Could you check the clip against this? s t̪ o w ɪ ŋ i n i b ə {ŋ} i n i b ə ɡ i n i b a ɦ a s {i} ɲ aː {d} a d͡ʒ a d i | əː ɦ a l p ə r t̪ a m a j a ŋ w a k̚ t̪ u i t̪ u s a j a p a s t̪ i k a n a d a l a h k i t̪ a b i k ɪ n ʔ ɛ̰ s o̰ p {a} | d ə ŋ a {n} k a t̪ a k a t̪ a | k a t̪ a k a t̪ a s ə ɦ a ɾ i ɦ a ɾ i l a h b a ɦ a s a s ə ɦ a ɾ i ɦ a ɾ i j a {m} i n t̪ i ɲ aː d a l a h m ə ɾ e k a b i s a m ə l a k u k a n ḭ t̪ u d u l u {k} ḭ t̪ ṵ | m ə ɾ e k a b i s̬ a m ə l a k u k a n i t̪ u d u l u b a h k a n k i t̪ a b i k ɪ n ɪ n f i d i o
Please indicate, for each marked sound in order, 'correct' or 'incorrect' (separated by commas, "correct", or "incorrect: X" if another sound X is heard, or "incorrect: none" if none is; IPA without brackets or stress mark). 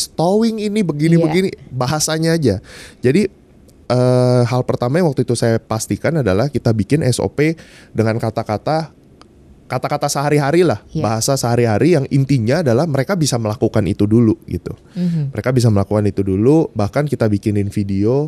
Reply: incorrect: ɡ, incorrect: a, incorrect: d͡ʒ, incorrect: e, correct, incorrect: ŋ, incorrect: ɡ